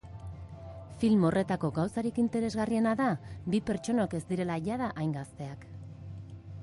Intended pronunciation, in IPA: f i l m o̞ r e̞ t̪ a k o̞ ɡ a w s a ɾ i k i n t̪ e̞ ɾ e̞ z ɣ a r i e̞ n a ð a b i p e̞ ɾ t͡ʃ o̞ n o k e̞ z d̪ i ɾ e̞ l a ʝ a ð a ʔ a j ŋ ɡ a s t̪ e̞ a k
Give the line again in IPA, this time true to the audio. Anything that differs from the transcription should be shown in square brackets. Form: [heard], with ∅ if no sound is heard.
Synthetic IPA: f i l m o̞ r e̞ t̪ a k o̞ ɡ a w s a ɾ i k i n t̪ e̞ ɾ e̞ z ɣ a r i e̞ n a ð a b i p e̞ ɾ t͡ʃ o̞ n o k e̞ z d̪ i ɾ e̞ l a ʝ a ð a ʔ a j ŋ ɡ a s t̪ e̞ a k